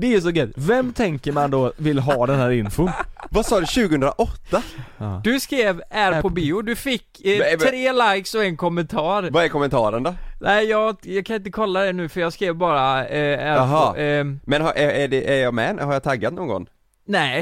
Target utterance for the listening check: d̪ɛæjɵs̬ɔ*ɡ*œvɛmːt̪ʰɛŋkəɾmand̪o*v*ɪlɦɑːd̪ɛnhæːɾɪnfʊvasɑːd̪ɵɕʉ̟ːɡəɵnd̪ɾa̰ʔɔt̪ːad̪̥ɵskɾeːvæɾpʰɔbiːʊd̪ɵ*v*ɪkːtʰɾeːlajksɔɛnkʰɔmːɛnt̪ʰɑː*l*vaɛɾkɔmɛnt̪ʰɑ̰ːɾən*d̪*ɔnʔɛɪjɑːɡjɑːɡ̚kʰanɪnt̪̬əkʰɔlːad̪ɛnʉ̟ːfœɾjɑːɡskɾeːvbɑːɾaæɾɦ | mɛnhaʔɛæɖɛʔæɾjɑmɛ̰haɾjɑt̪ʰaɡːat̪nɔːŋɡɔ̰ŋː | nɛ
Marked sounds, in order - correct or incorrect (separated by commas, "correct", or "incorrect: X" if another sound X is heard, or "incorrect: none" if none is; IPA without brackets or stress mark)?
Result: correct, correct, incorrect: f, incorrect: ɾ, correct